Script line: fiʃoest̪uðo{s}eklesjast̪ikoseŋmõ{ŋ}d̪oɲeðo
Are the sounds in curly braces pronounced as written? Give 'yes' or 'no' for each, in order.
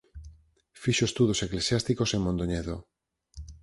yes, no

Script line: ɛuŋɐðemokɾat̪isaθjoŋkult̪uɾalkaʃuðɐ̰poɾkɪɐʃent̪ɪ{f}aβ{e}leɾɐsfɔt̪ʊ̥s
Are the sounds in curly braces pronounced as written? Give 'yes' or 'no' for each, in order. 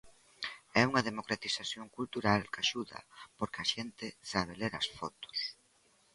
no, yes

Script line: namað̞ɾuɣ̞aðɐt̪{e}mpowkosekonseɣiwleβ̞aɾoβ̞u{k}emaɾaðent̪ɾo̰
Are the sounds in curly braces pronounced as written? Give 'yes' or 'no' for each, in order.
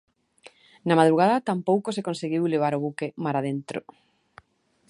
no, yes

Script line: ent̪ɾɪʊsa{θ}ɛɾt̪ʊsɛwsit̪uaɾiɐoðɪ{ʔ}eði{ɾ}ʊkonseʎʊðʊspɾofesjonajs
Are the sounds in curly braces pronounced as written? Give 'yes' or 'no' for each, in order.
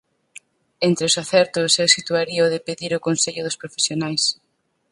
yes, no, yes

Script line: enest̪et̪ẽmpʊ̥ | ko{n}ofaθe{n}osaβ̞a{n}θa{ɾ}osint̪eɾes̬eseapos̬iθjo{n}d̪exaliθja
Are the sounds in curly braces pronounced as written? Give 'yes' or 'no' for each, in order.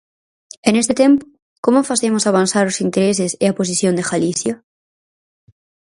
no, no, yes, yes, yes

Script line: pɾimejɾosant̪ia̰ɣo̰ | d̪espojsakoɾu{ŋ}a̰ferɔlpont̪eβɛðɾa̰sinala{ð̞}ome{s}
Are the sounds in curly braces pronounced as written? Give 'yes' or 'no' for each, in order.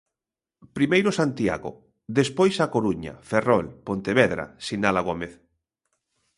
no, no, no

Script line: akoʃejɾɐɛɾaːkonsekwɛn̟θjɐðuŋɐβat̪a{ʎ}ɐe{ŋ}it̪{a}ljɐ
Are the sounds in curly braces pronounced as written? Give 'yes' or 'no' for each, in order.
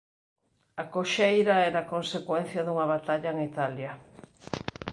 yes, yes, yes

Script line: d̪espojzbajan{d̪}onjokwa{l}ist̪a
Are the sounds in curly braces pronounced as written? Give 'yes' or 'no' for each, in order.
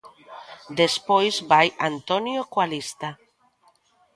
no, yes

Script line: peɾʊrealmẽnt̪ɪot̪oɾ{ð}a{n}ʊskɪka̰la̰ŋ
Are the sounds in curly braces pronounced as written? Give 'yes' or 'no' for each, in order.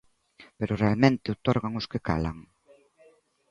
no, no

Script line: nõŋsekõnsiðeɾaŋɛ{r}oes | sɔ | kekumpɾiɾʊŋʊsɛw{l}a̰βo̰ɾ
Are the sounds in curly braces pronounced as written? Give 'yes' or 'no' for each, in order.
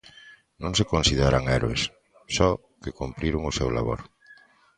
no, yes

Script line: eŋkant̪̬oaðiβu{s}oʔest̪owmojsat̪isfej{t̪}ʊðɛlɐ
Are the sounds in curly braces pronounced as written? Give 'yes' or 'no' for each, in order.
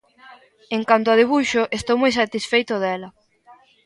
no, yes

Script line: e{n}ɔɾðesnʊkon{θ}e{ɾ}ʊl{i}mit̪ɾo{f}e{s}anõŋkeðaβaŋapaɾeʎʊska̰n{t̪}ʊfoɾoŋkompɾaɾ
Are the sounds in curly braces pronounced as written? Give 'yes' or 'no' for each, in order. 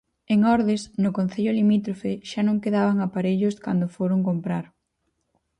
no, yes, no, yes, yes, no, no

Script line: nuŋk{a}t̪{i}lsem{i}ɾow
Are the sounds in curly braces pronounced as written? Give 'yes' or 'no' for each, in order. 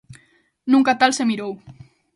yes, no, yes

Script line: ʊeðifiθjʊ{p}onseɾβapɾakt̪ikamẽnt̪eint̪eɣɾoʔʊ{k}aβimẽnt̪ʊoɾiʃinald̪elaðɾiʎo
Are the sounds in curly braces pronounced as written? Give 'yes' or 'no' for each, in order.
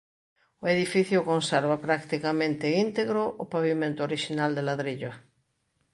no, no

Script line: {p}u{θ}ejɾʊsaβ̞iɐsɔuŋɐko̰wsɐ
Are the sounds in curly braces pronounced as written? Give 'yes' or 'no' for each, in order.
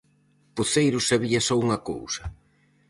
yes, yes

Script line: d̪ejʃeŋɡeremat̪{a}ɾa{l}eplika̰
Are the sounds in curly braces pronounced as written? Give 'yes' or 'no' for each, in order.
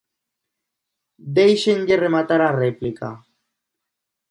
yes, no

